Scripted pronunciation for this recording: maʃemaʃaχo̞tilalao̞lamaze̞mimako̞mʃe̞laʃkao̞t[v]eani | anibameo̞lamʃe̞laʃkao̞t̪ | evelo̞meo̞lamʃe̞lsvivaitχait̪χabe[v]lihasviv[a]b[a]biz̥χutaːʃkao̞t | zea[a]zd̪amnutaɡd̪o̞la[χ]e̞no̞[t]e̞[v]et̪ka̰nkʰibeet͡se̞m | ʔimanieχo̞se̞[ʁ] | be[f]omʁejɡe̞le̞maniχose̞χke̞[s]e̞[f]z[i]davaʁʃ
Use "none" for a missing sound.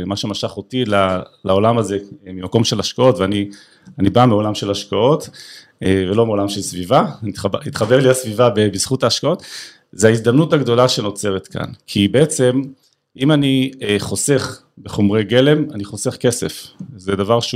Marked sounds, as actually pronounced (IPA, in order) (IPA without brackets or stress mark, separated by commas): v, ʁ, a, e, i, ʃ, t͡s, ʁ, χ, χ, s, f, e